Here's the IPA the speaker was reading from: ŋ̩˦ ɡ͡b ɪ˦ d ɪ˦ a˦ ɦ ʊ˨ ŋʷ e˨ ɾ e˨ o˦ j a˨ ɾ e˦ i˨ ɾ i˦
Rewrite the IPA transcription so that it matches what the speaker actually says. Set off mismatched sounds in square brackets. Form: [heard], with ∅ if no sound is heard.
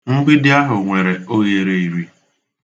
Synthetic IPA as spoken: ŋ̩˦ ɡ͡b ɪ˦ d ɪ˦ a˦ ɦ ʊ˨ ŋʷ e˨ ɾ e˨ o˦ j [e˨] ɾ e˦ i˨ ɾ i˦